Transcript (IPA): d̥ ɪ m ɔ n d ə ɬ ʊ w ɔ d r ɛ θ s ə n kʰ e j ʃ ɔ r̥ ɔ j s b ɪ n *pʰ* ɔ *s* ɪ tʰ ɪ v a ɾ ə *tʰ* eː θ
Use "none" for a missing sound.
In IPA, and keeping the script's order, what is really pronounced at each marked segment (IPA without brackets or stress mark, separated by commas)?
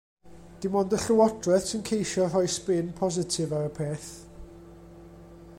pʰ, z, pʰ